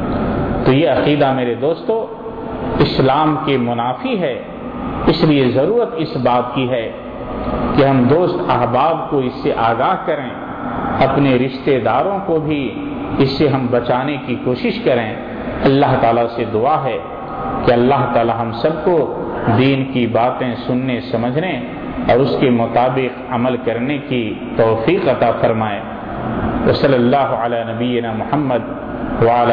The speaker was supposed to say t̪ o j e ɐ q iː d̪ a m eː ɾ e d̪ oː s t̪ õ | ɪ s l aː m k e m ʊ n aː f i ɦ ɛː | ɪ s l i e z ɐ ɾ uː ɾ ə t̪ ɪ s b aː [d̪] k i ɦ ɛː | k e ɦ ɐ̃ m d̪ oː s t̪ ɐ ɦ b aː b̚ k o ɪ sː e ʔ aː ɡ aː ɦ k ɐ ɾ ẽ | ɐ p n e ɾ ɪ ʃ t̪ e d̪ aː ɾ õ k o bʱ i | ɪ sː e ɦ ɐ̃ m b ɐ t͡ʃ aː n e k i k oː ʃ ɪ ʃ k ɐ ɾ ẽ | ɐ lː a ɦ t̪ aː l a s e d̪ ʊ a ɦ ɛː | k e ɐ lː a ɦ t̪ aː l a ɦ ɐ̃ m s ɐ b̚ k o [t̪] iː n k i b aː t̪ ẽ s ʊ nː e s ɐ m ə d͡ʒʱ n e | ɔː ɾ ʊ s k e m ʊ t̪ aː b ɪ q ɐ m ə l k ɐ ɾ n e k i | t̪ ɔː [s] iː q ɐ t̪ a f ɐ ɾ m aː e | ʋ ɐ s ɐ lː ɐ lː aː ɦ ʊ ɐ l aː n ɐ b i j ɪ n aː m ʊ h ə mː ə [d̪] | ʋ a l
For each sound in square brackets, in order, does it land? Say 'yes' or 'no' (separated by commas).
no, no, no, yes